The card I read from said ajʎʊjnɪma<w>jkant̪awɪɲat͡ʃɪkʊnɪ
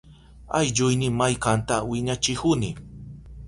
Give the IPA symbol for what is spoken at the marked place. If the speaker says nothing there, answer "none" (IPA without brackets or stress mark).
none